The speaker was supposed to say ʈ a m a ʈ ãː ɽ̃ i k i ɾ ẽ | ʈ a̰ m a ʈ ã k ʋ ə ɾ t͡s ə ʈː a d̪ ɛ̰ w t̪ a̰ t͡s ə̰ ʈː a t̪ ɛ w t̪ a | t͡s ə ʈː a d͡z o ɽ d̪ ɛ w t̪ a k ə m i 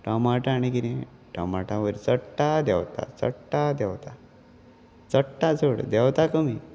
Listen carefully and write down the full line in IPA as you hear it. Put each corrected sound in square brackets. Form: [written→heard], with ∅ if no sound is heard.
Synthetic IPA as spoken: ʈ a m a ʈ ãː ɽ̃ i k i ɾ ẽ | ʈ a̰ m a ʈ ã [k→∅] ʋ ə ɾ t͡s ə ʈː a d̪ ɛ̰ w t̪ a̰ t͡s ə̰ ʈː a [t̪→d̪] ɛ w t̪ a | t͡s ə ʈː a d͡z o ɽ d̪ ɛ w t̪ a k ə m i